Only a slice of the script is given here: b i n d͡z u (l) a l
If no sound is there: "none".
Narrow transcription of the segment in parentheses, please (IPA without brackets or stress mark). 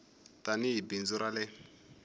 ɾ